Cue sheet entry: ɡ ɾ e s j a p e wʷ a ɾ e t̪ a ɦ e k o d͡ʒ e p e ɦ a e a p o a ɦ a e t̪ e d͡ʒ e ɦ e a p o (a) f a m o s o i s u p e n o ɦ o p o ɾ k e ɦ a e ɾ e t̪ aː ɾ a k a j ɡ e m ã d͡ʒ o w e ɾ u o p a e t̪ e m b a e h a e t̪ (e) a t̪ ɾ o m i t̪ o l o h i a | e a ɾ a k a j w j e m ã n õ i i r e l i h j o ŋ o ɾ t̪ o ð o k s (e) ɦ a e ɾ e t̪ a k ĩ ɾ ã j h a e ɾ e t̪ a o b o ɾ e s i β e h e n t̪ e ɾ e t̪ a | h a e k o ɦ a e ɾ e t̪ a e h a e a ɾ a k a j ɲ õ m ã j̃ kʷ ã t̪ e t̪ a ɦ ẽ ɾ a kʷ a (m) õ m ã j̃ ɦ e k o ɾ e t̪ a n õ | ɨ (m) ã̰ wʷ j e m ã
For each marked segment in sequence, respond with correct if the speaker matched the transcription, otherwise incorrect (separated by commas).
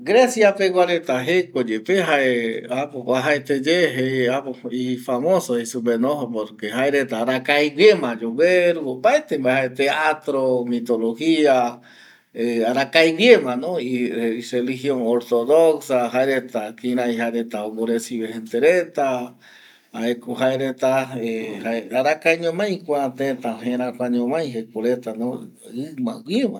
incorrect, correct, incorrect, incorrect, correct